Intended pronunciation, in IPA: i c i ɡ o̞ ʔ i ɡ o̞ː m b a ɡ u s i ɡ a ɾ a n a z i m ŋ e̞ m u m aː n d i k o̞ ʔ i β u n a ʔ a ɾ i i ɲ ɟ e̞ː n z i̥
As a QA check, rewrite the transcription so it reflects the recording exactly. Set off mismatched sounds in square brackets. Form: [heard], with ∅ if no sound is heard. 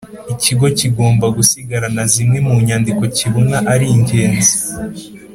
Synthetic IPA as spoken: i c i ɡ o̞ [c] i ɡ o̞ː m b a ɡ u s i ɡ a ɾ a n a z i m ŋ e̞ m u [ɲ] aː n d i k o̞ [c] i β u n a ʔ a ɾ i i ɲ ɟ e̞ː n z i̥

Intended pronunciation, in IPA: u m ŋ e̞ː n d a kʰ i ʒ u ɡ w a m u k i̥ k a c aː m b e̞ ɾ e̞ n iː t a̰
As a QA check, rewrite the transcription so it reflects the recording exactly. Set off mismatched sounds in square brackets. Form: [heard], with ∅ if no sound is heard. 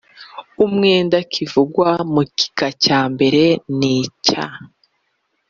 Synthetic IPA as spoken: u m ŋ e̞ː n d a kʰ i [v] u ɡ w a m u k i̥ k a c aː m b e̞ ɾ e̞ n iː [c] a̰

